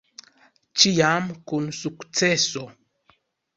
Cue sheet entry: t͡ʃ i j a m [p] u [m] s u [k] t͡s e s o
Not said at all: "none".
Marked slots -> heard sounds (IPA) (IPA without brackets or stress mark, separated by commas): k, n, k